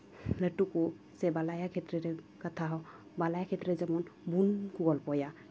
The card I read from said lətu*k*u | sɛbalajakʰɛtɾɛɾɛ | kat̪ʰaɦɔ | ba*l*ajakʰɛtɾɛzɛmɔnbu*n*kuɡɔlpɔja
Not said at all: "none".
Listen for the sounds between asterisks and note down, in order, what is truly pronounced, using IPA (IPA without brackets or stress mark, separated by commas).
k, l, n